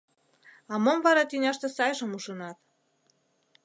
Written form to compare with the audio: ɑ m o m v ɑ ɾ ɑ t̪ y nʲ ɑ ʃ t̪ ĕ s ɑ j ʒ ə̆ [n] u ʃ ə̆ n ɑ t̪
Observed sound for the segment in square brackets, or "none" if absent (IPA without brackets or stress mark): m